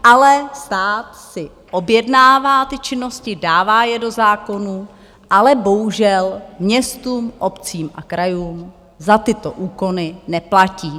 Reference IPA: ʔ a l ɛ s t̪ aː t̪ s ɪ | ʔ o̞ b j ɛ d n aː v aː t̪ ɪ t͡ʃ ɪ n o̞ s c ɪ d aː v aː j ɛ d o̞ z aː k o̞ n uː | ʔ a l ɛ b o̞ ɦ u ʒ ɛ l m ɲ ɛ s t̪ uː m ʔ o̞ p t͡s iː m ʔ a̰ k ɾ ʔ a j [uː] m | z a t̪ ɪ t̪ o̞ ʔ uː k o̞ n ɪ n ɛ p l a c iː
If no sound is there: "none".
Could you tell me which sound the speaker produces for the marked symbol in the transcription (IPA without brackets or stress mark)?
uː